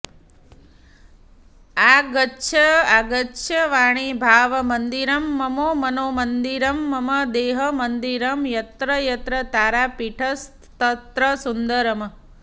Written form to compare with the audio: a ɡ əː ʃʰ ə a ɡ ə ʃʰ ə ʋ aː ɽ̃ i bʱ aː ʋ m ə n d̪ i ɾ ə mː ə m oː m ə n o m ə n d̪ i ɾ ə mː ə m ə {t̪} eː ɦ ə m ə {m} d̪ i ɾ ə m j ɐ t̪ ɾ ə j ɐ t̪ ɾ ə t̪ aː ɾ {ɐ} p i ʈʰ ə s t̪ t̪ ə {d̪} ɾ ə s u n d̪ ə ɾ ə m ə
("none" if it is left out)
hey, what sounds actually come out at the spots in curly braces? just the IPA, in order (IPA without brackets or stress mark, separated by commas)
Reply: d̪, n, a, t̪